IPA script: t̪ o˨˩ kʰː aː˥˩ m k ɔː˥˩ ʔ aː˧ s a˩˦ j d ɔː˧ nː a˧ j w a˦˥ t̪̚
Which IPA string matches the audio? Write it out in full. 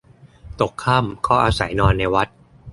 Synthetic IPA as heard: t̪ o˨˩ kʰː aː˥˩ m kʰ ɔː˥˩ ʔ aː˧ s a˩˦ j n ɔː˧ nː a˧ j w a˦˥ t̪̚